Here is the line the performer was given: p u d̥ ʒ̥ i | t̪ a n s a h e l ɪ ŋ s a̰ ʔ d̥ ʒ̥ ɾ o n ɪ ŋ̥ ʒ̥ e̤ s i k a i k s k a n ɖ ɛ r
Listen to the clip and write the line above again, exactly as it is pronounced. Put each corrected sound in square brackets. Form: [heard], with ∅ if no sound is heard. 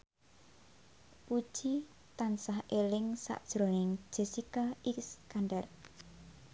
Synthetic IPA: p u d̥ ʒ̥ i | t̪ a n s a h e l ɪ ŋ s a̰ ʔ d̥ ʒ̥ ɾ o n ɪ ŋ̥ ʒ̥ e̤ s i k a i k s k a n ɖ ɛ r